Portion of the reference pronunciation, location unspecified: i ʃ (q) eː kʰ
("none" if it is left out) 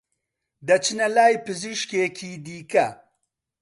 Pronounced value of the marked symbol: k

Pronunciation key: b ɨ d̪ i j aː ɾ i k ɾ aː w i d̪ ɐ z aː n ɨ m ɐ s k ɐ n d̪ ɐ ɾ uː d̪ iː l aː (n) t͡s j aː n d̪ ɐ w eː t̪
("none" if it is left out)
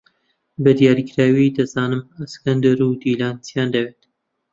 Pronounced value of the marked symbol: n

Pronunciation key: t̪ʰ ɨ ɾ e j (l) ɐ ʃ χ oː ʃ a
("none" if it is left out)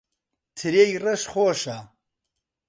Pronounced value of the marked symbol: r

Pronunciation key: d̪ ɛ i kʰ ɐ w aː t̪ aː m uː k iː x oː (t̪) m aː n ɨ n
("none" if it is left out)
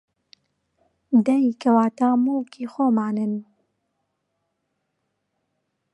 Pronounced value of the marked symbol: none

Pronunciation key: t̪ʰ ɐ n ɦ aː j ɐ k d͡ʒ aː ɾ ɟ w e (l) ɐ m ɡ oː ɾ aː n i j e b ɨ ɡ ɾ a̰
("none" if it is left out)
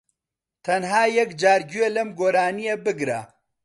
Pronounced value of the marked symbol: l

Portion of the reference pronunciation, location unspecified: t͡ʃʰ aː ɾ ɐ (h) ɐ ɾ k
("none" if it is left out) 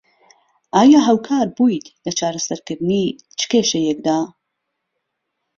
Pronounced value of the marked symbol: s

